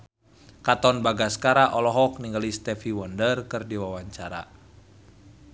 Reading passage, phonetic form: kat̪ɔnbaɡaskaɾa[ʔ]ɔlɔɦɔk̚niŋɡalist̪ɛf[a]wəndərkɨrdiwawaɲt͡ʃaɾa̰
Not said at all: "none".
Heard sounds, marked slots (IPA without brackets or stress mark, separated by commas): ʔ, i